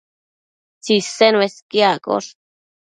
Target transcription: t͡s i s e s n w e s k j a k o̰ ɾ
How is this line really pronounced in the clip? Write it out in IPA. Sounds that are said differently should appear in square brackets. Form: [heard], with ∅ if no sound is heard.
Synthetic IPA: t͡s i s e [∅] n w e s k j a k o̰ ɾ